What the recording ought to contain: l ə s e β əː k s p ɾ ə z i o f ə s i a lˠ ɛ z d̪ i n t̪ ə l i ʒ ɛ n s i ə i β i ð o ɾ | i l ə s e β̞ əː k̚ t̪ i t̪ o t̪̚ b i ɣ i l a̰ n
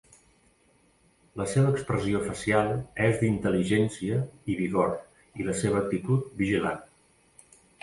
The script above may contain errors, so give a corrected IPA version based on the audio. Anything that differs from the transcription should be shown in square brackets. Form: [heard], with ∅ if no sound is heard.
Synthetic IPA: l ə s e β əː k s p ɾ ə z i o f ə s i a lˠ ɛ z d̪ i n t̪ ə l i ʒ ɛ n s i ə i β i [ɣ] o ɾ | i l ə s e β̞ əː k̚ t̪ i t̪ [u] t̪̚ b i [ʒ] i l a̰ n